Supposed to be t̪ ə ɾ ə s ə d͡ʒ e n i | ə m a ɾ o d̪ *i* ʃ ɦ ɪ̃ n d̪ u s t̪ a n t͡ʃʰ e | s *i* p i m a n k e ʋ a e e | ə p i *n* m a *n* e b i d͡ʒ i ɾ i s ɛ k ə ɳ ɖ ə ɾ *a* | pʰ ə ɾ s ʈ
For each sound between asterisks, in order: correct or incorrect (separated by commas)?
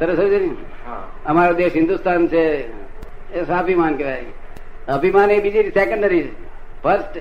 incorrect, incorrect, incorrect, correct, incorrect